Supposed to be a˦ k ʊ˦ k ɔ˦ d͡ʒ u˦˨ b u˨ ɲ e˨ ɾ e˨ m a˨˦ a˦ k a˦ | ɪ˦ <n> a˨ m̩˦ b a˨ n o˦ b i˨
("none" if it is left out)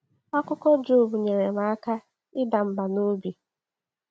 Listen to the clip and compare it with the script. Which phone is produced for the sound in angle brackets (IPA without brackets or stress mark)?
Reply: d